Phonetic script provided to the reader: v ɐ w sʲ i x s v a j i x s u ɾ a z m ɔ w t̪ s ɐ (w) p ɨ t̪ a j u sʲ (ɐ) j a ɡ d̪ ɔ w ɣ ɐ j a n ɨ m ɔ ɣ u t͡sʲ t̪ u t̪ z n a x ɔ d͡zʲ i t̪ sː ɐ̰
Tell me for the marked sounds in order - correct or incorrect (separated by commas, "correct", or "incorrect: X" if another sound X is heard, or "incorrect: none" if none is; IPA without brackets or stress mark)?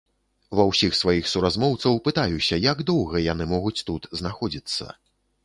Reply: correct, correct